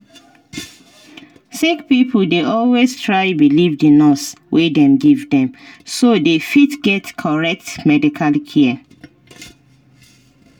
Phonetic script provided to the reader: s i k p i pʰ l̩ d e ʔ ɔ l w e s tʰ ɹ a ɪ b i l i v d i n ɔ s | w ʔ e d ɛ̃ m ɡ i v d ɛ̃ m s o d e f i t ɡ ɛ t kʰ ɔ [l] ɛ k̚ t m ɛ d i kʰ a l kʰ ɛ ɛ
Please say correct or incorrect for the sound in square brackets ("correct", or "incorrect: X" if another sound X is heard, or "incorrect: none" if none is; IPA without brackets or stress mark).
incorrect: ɹ